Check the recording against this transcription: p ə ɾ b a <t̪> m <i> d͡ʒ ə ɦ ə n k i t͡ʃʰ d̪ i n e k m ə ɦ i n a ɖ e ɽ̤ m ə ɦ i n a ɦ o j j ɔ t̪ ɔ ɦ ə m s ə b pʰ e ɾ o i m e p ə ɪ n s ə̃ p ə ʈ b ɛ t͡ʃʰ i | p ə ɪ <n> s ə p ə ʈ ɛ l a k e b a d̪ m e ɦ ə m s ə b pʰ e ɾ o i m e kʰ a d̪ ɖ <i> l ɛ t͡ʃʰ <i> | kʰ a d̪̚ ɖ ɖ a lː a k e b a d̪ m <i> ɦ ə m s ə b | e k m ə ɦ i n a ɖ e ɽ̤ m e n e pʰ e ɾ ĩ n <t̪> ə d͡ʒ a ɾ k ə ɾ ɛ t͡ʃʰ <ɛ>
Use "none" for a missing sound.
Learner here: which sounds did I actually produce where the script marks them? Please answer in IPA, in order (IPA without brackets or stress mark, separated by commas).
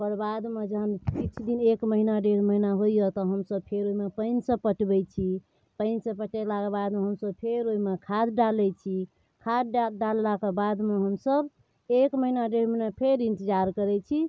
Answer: d̪, e, n, a, i, e, t̪, i